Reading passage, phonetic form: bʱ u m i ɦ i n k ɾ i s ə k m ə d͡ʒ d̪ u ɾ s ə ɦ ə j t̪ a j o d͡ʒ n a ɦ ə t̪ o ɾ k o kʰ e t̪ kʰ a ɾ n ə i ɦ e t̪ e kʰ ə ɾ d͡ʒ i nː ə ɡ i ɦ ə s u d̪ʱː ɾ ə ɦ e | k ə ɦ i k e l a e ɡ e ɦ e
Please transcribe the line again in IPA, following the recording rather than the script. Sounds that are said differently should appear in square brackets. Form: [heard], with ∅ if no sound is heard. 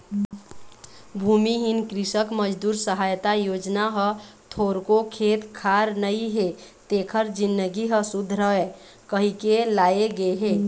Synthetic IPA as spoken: bʱ u m i ɦ i n k ɾ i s ə k m ə d͡ʒ d̪ u ɾ s ə ɦ [a] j t̪ a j o d͡ʒ n a ɦ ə [t̪ʰ] o ɾ k o kʰ e t̪ kʰ a ɾ n ə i ɦ e t̪ e kʰ ə ɾ d͡ʒ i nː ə ɡ i ɦ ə s u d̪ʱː ɾ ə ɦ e | k ə ɦ i k e l a e ɡ e ɦ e